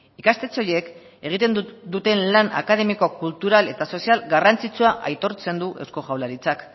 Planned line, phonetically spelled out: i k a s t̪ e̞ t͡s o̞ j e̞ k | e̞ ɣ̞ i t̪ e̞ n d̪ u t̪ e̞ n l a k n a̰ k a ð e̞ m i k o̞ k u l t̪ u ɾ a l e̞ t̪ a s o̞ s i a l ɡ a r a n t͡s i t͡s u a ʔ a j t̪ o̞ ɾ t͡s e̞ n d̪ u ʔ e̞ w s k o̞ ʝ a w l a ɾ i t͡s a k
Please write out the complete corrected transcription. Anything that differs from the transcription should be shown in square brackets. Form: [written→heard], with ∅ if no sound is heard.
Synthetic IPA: i k a s t̪ e̞ t͡s o̞ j e̞ k | e̞ ɣ̞ i t̪ e̞ n d̪ u t̪ e̞ n l a [k→∅] n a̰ k a ð e̞ m i k o̞ k u l t̪ u ɾ a l e̞ t̪ a s o̞ s i a l ɡ a r a n t͡s i t͡s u a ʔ a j t̪ o̞ ɾ t͡s e̞ n d̪ u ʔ e̞ w s k o̞ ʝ a w l a ɾ i t͡s a k